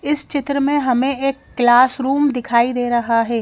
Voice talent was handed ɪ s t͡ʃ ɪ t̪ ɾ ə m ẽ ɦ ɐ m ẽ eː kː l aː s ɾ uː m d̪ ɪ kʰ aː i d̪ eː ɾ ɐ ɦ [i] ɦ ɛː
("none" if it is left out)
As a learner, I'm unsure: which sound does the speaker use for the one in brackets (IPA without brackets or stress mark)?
a